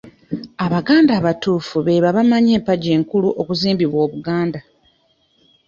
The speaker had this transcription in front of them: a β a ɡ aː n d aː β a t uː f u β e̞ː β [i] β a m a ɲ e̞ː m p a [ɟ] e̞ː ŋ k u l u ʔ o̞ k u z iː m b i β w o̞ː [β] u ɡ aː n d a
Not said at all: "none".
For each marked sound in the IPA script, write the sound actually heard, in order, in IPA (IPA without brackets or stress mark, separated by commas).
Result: a, ɟ, β